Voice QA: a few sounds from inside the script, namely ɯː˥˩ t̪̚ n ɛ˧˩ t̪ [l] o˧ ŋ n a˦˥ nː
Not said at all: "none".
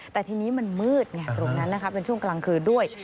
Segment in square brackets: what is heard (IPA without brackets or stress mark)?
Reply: ɾ